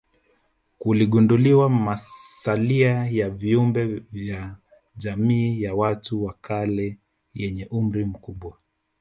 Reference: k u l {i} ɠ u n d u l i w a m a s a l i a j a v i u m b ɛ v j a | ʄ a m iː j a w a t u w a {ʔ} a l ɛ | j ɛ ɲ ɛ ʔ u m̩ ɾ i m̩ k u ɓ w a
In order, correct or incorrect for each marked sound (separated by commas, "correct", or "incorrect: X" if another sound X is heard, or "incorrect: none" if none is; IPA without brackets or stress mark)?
correct, incorrect: k